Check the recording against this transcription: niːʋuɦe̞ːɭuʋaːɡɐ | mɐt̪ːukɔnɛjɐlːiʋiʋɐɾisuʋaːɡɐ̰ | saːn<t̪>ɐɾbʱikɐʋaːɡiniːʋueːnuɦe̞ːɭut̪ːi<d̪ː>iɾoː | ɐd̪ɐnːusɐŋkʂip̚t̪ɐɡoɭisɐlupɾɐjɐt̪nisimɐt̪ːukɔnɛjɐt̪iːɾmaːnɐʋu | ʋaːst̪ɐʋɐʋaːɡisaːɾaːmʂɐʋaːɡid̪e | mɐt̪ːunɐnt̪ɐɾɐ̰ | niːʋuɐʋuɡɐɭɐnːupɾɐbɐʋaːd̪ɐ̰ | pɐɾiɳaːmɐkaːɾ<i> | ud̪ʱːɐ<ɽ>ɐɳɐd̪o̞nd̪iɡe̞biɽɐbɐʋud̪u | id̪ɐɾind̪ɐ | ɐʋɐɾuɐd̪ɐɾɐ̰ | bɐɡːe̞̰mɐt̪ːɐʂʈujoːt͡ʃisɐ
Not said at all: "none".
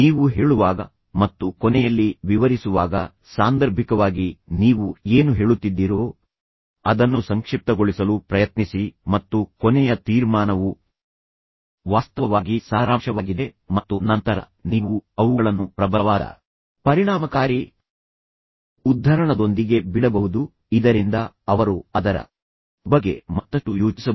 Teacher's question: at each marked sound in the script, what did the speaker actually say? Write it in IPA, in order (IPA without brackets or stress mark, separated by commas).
d̪, d̪ː, i, ɾ